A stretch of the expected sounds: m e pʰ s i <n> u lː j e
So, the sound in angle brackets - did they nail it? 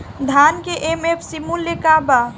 no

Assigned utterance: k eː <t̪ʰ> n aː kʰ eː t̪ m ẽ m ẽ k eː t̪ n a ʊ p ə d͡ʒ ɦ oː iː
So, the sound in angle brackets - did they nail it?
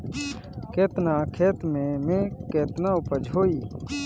no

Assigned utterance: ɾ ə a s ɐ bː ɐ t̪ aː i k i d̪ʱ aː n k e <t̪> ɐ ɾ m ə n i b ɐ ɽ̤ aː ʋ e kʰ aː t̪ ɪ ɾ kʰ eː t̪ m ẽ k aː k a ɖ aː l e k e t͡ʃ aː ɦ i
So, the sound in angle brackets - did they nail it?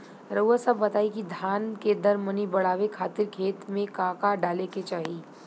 no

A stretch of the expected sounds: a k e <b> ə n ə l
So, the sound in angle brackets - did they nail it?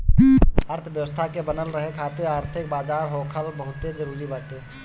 yes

